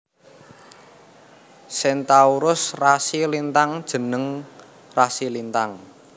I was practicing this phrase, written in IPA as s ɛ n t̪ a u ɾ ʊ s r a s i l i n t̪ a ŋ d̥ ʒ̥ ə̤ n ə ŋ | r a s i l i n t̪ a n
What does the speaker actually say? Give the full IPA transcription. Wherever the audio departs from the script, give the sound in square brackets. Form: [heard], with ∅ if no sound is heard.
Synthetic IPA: s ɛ n t̪ a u ɾ ʊ s r a s i l i n t̪ a ŋ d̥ ʒ̥ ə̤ n ə ŋ | r a s i l i n t̪ a [ŋ]